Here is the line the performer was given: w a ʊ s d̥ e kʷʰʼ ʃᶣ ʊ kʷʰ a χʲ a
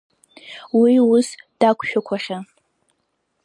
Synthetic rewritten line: w i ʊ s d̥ a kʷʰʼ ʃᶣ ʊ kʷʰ a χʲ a